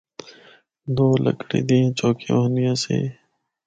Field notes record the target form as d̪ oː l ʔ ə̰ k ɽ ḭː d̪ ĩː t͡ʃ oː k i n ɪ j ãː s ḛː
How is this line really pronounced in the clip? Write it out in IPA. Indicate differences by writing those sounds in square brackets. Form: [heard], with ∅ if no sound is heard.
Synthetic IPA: d̪ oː l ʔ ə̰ k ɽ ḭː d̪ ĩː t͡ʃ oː k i n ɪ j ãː s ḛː